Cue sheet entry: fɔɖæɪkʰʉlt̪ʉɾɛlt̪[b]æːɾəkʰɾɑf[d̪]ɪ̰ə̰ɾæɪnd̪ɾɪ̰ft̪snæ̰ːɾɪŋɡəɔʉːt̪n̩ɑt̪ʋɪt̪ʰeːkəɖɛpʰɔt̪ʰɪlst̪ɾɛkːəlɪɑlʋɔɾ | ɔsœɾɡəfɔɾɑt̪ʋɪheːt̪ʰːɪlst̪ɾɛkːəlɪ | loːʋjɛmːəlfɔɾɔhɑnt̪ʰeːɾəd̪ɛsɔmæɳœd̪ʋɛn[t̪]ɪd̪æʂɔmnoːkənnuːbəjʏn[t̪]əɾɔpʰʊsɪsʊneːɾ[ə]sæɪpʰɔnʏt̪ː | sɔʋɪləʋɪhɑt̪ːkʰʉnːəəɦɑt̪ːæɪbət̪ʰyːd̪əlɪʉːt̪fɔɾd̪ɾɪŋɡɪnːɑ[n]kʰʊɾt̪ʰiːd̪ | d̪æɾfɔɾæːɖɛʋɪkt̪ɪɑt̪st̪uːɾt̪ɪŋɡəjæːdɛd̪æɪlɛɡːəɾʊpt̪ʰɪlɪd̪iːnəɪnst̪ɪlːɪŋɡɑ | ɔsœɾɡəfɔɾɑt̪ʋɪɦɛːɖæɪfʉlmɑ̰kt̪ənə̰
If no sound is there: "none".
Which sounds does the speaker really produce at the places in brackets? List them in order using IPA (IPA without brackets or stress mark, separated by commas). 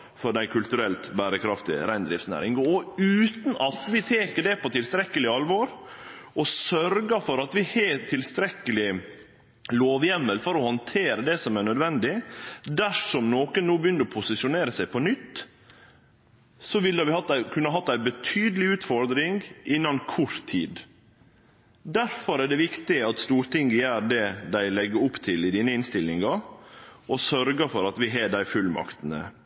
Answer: b, t̪, d̪, d̪, ə, n